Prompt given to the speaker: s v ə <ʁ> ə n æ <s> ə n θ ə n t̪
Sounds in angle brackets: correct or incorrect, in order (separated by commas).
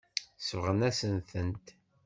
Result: correct, correct